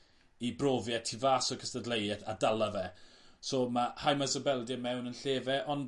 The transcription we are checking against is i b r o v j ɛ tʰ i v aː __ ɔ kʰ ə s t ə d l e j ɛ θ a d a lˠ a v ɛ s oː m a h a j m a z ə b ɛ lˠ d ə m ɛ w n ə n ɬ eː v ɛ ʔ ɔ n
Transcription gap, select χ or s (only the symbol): s